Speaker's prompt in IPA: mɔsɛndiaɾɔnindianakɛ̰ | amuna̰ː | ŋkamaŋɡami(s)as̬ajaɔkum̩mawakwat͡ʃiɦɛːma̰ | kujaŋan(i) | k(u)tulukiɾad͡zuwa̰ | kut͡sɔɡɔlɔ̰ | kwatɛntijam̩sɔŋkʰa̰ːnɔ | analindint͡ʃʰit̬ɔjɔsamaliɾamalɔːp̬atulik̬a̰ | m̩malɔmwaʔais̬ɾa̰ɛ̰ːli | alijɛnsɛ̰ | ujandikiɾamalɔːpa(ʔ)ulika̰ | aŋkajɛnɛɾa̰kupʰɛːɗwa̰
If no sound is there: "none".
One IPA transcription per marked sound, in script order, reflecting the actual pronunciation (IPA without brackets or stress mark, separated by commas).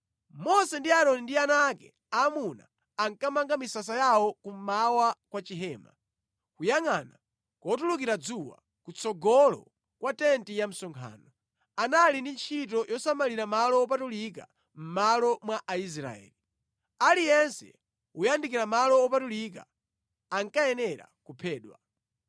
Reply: s, a, ɔ, t